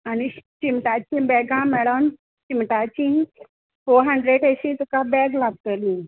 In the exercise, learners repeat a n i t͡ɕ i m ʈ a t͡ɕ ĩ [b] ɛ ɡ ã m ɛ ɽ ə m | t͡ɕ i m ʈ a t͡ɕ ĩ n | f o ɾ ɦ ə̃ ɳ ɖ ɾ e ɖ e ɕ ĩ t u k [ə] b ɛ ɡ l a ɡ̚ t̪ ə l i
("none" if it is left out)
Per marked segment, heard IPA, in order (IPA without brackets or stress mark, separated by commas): b, a